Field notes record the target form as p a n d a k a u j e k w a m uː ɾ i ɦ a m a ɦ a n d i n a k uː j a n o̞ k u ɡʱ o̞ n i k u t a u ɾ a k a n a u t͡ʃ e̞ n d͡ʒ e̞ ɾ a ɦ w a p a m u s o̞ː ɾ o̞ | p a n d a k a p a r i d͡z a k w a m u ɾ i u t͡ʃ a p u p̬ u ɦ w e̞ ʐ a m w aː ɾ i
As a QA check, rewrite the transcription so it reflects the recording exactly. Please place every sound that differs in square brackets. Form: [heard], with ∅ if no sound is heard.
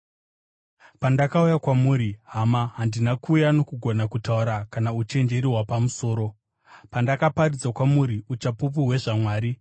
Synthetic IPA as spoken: p a n d a k a u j [a] k w a m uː ɾ i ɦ a m a ɦ a n d i n a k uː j a n o̞ k u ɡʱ o̞ n [a] k u t a u ɾ a k a n a u t͡ʃ e̞ n d͡ʒ e̞ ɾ [i] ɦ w a p a m u s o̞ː ɾ o̞ | p a n d a k a p a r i d͡z a k w a m u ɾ i u t͡ʃ a p u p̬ u ɦ w e̞ ʐ a m w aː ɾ i